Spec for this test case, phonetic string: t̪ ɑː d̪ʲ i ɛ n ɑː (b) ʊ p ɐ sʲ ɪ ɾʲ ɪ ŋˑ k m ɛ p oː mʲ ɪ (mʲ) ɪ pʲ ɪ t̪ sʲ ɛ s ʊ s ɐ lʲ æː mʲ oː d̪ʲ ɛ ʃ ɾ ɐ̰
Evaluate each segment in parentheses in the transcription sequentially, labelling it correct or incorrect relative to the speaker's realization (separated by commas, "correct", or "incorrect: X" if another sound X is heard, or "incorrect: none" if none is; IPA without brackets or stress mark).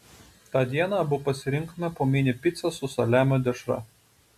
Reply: correct, incorrect: nʲ